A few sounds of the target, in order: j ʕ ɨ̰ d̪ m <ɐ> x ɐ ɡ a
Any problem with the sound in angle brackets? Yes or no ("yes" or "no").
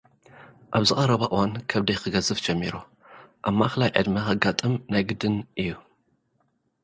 no